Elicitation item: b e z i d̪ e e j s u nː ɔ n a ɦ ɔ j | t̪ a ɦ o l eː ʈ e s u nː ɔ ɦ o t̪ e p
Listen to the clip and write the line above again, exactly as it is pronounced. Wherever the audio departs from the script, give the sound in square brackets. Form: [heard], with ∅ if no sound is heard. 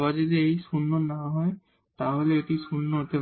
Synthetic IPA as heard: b [a] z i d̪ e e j s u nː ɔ n a ɦ ɔ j | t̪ a ɦ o l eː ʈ [i] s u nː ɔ ɦ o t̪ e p